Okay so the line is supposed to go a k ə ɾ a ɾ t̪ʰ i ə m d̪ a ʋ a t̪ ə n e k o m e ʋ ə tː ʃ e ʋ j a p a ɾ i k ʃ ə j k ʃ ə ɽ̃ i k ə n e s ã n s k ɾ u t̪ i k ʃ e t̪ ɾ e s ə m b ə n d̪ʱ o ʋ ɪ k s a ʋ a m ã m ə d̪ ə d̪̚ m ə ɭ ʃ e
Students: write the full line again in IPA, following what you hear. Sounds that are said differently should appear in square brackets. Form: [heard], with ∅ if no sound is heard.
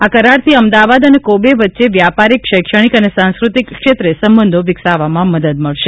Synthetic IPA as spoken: a k ə ɾ a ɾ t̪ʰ i ə m d̪ a ʋ a [d̪] ə n e k o [b] e ʋ ə tː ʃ e ʋ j a p a ɾ i k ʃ ə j k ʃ ə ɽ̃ i k ə n e s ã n s k ɾ u t̪ i k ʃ e t̪ ɾ e s ə m b ə n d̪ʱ o ʋ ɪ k s a ʋ a m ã m ə d̪ ə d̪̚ m ə ɭ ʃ e